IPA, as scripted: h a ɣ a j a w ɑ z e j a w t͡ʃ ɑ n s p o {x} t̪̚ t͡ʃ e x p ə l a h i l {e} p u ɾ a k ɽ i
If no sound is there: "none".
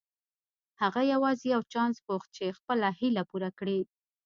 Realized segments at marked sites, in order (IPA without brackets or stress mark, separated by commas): x, a